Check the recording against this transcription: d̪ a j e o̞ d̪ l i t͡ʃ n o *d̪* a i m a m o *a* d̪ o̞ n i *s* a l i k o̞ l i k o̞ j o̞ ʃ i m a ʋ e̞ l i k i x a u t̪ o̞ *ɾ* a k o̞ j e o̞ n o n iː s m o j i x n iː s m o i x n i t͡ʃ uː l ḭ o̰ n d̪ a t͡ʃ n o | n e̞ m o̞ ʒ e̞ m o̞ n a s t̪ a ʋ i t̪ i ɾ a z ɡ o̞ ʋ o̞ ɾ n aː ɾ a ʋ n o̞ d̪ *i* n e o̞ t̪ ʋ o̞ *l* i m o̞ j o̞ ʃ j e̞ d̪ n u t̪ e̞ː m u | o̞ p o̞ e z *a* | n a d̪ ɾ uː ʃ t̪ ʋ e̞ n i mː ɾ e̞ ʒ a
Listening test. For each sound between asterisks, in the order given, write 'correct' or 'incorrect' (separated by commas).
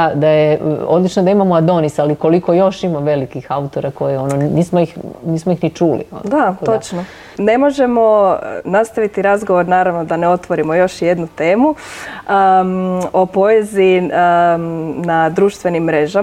correct, correct, correct, correct, incorrect, incorrect, incorrect